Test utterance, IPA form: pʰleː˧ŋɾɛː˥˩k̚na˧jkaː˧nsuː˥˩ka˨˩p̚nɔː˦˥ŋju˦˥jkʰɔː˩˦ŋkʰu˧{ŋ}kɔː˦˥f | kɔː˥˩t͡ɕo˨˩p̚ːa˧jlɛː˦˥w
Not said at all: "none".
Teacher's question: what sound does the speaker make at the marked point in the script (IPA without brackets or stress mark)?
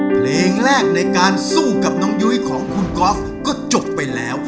n